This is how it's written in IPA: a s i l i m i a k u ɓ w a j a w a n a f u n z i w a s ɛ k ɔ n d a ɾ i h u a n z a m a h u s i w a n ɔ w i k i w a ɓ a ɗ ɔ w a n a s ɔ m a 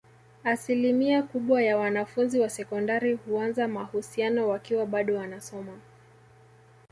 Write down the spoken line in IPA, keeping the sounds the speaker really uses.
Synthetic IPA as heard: a s i l i m i a k u ɓ w a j a w a n a f u n z i w a s ɛ k ɔ n d a ɾ i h u a n z a m a h u s i a n ɔ w a k i w a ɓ a ɗ ɔ w a n a s ɔ m a